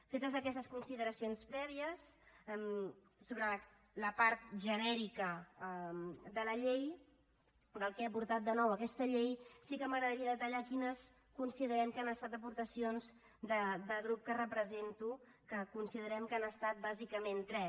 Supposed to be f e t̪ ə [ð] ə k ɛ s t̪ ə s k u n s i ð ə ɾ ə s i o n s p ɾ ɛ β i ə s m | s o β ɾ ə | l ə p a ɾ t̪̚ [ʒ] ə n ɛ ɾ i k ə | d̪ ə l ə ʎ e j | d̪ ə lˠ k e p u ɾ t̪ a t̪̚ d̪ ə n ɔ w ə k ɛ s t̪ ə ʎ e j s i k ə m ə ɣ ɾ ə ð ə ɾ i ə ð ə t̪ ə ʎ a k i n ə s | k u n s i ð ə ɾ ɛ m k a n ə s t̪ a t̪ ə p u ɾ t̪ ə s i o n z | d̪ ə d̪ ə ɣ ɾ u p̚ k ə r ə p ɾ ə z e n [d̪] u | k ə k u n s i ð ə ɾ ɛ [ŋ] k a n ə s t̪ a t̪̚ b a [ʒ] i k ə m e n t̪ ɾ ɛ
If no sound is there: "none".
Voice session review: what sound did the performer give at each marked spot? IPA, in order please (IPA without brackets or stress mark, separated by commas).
z, ʒ, t̪, m, z